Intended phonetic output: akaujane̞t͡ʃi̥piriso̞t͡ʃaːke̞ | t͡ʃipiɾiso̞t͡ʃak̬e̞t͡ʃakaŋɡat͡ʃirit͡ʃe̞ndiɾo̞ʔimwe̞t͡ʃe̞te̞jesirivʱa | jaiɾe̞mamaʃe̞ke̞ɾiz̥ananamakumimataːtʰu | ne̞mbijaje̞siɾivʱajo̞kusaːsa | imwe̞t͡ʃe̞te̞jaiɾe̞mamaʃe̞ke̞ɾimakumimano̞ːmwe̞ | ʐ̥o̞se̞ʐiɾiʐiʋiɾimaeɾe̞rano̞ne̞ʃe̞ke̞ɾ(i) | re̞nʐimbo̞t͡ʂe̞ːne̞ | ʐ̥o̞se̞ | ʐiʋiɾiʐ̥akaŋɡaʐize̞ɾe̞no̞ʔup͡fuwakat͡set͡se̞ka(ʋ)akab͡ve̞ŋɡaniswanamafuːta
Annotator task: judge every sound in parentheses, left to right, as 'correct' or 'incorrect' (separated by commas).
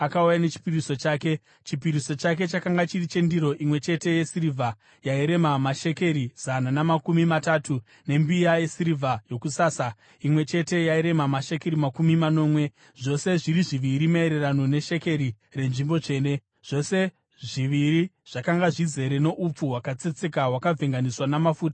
correct, incorrect